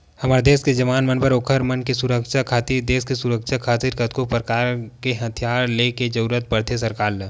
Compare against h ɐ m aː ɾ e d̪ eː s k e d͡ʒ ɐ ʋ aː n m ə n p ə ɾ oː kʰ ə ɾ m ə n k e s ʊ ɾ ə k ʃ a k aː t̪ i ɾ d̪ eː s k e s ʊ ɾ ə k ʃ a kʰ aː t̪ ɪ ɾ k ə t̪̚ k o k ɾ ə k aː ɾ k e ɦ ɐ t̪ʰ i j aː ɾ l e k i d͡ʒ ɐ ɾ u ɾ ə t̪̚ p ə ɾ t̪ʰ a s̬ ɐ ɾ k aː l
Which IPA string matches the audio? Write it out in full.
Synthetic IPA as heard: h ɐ m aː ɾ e d̪ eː s k e d͡ʒ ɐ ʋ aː n m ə n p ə ɾ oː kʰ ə ɾ m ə n k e s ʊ ɾ ə k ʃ a kʰ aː t̪ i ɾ d̪ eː s k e s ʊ ɾ ə k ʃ a kʰ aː t̪ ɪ ɾ k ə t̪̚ k o p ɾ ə k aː ɾ k e ɦ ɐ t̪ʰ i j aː ɾ l e k e d͡ʒ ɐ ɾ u ɾ ə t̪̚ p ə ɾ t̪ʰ e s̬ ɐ ɾ k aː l